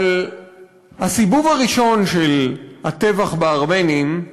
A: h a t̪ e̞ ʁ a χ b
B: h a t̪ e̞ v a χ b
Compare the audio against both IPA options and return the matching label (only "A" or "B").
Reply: B